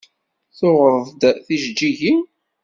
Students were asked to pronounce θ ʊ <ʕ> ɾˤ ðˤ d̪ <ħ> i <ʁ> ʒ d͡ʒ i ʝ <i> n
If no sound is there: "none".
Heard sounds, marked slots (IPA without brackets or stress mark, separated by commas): ʁ, θ, none, i